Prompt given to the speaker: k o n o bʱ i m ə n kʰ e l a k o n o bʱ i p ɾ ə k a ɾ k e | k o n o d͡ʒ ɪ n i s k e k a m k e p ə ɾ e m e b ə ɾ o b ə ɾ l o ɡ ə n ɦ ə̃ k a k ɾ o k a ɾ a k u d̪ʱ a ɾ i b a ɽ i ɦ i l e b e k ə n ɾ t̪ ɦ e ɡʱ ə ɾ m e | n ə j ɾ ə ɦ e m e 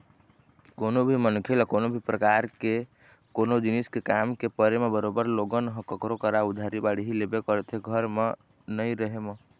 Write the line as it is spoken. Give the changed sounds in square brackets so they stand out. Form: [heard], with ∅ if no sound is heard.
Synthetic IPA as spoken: k o n o bʱ i m ə n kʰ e l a k o n o bʱ i p ɾ ə k a ɾ k e | k o n o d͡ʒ [i] n i s k e k a m k e p ə ɾ e m e b ə ɾ o b ə ɾ l o ɡ ə n ɦ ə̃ k [ə] k ɾ o k [ə] ɾ a [∅] u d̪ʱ a ɾ i b a ɽ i ɦ i l e b e k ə [∅] ɾ t̪ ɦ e ɡʱ ə ɾ m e | n ə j ɾ ə ɦ e m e